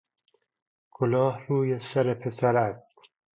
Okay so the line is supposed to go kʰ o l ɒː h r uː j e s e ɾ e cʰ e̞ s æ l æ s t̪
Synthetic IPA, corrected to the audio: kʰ o l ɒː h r uː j e s æ ɾ e pʰ e̞ s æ ɾ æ s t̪